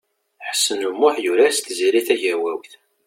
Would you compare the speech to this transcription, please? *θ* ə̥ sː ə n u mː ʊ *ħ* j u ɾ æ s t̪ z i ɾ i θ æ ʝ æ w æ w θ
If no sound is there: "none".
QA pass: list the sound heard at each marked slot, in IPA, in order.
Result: ħ, ħ

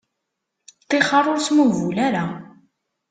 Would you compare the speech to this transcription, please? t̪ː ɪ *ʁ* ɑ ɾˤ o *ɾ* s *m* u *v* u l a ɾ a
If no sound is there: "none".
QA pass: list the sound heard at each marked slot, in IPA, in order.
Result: χ, ɾ, m, v

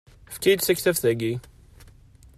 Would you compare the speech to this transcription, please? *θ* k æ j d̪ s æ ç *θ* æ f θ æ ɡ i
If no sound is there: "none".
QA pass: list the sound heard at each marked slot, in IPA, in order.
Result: f, θ

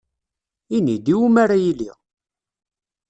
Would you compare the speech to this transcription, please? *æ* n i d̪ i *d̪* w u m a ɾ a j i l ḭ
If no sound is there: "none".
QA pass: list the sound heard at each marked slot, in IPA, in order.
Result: i, none

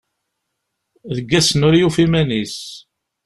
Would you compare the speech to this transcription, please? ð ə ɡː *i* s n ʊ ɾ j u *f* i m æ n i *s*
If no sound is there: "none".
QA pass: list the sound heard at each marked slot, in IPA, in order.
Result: æ, f, s

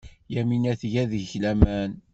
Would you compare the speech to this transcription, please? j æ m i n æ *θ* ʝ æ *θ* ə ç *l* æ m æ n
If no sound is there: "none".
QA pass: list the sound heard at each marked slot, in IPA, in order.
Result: θ, ð, l

